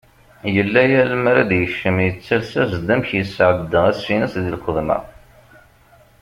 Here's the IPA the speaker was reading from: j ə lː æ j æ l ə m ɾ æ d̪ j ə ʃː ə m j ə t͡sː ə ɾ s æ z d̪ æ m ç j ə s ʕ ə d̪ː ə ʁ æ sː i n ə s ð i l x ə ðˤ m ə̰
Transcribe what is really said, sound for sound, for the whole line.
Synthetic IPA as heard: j ə lː æ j æ l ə m ɾ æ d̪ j ə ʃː ə m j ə t͡sː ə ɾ s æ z d̪ æ m ç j ə s ʕ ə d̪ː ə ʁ æ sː i n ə s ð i l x ə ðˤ m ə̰